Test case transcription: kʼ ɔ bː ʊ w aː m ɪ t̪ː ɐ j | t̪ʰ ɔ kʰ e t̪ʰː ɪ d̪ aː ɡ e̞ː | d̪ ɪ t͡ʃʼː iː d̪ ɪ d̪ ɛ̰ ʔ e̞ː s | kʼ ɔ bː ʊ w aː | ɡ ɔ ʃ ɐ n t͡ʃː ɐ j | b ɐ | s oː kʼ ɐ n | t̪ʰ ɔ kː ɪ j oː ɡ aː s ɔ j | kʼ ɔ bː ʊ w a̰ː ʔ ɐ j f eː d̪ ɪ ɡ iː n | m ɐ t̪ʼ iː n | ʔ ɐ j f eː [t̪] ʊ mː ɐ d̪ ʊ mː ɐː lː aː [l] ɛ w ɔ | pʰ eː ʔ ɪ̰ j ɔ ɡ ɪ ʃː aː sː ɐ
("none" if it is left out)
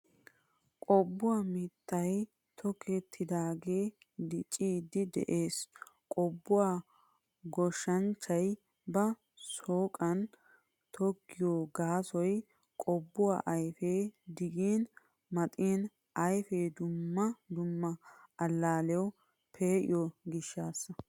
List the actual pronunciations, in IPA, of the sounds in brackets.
d̪, l

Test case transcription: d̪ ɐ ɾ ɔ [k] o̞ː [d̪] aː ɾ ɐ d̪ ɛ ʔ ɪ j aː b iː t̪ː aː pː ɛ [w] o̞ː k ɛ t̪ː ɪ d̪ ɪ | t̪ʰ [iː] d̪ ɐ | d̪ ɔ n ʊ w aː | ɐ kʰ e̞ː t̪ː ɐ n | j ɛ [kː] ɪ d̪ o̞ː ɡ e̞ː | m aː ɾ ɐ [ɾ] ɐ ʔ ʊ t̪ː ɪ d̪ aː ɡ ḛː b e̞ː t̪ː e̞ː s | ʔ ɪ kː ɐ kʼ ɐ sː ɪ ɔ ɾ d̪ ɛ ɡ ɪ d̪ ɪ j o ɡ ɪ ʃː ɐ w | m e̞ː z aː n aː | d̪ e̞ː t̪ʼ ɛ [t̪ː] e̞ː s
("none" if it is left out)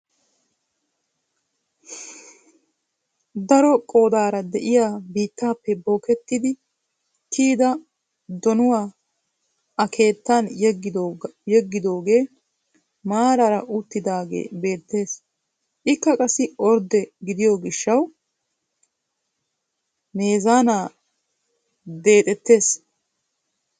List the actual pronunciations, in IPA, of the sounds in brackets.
kʼ, d̪, b, iː, ɡː, ɾ, t̪ː

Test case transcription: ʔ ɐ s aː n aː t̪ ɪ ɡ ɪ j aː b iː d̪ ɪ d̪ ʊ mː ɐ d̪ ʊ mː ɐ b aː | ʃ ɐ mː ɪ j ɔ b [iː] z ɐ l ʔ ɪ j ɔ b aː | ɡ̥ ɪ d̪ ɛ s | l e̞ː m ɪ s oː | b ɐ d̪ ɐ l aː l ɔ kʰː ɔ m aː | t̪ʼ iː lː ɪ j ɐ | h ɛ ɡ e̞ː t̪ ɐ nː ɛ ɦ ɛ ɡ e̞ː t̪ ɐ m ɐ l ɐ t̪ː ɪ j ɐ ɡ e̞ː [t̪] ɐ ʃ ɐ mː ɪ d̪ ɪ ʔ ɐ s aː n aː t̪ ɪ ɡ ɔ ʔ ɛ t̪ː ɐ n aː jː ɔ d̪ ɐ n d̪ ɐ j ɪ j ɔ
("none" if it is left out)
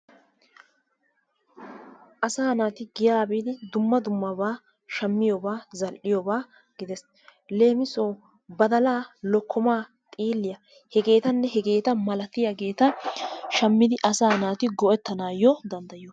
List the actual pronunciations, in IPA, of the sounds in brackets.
aː, t̪

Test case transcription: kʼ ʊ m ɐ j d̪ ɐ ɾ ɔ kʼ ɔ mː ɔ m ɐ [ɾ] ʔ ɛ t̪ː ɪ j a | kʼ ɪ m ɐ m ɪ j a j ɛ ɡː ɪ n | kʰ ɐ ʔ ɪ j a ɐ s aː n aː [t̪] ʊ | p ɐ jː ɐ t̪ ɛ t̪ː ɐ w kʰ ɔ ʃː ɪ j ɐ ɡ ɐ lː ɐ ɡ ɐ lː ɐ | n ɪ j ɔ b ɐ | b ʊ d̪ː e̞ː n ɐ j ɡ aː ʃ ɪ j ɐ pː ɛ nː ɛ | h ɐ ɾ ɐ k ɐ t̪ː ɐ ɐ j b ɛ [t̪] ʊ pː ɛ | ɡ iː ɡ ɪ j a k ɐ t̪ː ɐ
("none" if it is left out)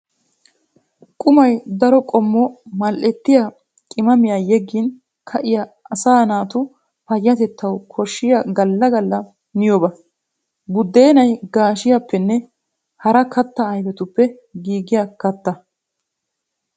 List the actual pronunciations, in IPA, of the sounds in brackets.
l, t̪, t̪

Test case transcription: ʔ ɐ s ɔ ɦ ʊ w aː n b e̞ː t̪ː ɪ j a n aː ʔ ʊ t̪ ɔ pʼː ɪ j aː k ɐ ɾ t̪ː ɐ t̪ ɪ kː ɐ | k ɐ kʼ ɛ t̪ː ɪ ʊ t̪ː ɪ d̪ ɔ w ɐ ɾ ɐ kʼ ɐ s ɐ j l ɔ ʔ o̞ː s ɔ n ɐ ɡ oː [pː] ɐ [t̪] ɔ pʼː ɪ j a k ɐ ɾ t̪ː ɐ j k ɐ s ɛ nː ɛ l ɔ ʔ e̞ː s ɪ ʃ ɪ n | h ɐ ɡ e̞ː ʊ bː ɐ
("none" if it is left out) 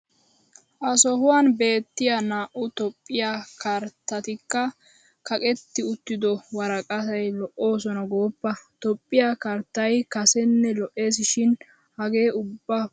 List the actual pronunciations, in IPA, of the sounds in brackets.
pː, t̪

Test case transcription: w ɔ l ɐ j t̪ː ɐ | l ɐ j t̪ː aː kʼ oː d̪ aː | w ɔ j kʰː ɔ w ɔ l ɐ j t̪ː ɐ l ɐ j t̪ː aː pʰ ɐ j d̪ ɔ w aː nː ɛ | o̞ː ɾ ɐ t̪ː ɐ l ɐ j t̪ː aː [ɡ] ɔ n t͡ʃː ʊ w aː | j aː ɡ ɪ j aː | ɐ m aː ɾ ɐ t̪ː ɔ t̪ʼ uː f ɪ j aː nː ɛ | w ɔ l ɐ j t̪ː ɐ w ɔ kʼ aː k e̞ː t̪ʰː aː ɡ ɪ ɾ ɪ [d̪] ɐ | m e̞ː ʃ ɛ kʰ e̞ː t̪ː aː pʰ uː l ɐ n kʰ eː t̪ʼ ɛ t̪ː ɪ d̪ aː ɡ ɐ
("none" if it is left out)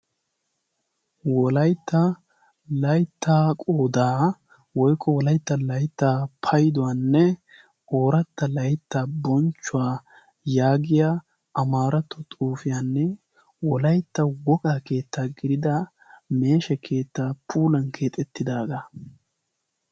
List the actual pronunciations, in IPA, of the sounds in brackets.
b, d̪

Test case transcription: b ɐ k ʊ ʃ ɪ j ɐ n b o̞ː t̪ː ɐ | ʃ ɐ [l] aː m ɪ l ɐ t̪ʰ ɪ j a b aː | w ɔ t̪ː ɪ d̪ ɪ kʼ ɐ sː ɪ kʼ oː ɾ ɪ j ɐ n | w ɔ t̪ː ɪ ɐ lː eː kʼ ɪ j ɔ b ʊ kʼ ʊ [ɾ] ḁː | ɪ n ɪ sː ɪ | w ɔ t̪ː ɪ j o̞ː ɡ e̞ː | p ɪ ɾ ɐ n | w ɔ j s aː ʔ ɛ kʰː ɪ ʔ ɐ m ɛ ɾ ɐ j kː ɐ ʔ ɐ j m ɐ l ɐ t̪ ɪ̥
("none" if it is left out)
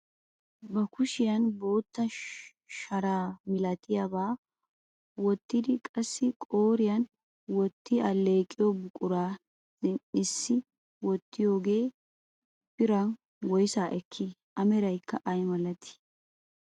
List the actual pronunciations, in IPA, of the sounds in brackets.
ɾ, ɾ

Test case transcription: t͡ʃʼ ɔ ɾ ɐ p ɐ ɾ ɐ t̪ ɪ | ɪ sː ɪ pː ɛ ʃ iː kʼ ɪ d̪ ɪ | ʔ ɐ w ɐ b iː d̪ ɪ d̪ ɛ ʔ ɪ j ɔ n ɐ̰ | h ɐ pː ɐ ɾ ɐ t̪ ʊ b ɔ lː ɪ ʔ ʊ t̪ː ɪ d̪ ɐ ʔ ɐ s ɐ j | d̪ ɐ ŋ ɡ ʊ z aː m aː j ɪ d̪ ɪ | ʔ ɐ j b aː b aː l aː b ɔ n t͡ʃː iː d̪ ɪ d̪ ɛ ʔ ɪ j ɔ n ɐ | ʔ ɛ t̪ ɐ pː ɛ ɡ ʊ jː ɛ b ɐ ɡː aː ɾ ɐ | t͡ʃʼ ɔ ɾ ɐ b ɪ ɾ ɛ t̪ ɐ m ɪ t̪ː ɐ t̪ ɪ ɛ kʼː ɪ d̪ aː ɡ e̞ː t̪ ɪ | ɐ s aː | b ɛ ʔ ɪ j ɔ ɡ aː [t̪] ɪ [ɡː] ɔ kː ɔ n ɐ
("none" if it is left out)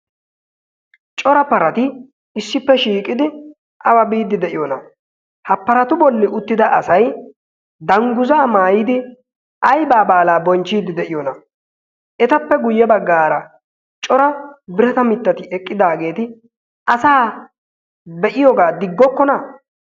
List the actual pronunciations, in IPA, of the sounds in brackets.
d̪, ɡː

